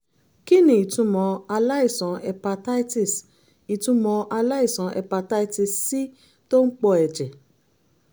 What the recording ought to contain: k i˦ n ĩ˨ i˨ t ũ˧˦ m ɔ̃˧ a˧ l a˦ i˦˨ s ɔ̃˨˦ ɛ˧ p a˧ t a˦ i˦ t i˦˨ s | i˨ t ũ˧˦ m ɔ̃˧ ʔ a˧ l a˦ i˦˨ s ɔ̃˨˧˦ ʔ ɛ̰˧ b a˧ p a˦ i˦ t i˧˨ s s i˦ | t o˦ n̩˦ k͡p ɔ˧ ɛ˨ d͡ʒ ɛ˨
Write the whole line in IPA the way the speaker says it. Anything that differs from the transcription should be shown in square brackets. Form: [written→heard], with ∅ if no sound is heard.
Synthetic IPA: k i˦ n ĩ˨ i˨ t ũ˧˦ m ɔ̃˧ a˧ l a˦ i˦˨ s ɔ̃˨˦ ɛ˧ p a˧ t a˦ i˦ t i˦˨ s | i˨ t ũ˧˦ m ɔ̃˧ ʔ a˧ l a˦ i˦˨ s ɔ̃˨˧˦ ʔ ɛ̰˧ [b→p] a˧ [p→t] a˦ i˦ t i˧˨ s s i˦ | t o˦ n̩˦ k͡p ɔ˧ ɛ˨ d͡ʒ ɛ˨